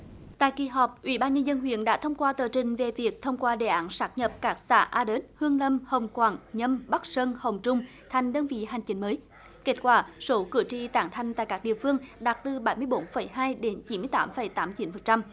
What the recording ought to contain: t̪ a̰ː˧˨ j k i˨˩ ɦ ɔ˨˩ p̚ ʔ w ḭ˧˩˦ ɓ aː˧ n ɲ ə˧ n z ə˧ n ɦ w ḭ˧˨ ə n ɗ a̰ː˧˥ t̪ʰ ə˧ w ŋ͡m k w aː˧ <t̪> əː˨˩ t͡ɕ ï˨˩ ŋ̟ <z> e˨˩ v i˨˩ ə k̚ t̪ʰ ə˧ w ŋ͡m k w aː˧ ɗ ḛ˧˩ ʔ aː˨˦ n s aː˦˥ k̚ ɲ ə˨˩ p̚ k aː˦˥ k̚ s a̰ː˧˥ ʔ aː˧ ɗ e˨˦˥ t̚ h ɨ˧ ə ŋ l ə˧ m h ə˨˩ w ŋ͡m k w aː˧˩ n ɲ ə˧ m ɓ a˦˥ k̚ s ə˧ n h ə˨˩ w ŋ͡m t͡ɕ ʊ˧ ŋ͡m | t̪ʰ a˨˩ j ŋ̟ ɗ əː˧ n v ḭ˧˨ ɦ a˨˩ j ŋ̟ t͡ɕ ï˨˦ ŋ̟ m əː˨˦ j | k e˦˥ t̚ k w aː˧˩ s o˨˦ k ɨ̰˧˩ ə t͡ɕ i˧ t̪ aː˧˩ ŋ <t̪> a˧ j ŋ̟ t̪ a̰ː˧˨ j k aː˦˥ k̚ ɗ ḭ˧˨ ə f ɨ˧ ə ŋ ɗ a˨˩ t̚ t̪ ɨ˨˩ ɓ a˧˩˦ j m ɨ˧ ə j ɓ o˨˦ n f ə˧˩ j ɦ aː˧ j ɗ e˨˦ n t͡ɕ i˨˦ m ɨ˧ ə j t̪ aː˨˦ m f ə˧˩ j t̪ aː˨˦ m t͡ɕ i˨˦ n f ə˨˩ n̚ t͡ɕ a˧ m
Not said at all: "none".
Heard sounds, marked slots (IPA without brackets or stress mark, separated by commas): t̪, v, t̪ʰ